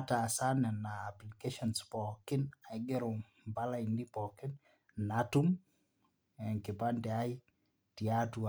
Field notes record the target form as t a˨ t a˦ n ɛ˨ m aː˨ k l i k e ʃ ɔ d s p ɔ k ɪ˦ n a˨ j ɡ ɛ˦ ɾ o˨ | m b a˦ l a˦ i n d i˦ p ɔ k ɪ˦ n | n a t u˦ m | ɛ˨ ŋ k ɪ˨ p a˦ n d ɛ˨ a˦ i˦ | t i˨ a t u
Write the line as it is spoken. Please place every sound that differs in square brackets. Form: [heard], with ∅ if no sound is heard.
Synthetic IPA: t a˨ [s] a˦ n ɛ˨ [n] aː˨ [p] l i k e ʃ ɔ [n] s p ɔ k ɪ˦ n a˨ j ɡ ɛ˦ ɾ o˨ | m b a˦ l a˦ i n d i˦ p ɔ k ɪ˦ n | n a t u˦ m | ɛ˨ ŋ k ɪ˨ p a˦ n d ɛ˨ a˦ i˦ | t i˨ a t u